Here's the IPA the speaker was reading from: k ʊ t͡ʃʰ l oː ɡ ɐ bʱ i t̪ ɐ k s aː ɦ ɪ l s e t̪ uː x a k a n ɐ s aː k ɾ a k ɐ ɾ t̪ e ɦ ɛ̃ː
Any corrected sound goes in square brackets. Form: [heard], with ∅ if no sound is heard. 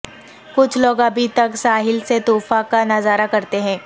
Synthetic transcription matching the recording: k ʊ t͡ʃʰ l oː ɡ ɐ bʱ i t̪ ɐ k s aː ɦ ɪ l s e t̪ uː [f] a k a n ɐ [z] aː [∅] ɾ a k ɐ ɾ t̪ e ɦ ɛ̃ː